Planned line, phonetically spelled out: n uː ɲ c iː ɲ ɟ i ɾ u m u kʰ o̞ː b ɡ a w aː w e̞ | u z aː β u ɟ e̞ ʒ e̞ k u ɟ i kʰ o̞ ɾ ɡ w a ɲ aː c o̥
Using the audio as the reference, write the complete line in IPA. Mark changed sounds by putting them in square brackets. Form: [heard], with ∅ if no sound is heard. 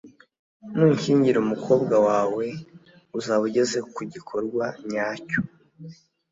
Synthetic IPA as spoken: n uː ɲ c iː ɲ ɟ i ɾ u m u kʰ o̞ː b ɡ a w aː w e̞ | u z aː β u ɟ e̞ [z] e̞ k u ɟ i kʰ o̞ ɾ ɡ w a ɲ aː c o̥